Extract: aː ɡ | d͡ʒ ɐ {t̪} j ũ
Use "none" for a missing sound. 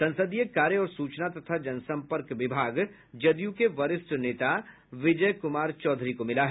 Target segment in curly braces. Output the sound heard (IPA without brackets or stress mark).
d̪